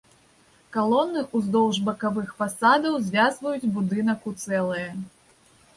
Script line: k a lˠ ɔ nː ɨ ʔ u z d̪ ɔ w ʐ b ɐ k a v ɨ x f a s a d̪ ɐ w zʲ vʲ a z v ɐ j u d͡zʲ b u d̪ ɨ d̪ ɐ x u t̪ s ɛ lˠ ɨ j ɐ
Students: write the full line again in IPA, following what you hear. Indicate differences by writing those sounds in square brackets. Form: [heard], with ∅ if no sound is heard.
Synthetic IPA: k a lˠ ɔ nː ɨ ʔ u z d̪ ɔ w ʐ b ɐ k a v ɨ x f a s a d̪ ɐ w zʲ vʲ a z v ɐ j u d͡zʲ b u d̪ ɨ [n̪] ɐ [k] u t̪ s ɛ lˠ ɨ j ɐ